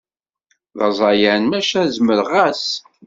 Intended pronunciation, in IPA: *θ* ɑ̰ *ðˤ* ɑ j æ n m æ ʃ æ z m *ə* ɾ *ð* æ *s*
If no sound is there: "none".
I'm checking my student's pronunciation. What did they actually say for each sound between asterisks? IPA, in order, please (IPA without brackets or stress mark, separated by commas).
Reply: ð, zˤ, ə, ʁ, s